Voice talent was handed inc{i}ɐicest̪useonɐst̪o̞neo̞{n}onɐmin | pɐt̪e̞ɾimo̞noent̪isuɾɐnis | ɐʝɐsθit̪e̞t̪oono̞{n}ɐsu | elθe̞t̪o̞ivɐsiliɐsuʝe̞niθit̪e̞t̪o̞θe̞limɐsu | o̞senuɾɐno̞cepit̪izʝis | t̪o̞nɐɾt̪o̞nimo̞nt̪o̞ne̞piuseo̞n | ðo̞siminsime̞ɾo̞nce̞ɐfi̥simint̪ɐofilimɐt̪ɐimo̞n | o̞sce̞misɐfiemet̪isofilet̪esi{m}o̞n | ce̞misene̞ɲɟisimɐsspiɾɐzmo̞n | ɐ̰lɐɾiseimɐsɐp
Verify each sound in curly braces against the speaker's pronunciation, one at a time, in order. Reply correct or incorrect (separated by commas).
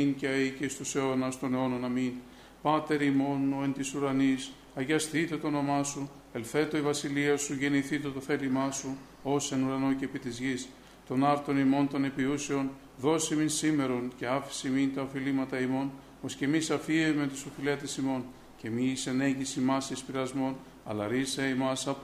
incorrect, correct, incorrect, correct